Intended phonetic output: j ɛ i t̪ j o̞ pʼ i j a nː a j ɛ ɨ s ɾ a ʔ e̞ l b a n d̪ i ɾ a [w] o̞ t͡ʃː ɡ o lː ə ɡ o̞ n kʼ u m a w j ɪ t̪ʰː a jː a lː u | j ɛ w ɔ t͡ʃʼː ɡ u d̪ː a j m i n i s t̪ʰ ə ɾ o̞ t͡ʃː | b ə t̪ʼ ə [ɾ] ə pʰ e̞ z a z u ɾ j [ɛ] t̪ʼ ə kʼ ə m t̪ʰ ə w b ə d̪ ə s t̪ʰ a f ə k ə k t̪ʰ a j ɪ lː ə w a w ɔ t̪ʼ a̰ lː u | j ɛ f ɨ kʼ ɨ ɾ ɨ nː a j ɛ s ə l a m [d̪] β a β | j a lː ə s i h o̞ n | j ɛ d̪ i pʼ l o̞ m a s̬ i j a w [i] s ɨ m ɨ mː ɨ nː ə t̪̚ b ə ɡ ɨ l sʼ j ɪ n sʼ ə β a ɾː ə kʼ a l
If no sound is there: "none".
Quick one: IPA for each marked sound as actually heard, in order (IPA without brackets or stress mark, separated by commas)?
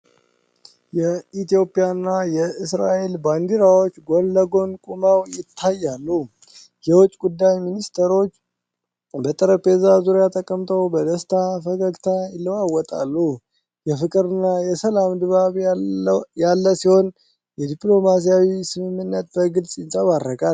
w, ɾ, a, d̪, i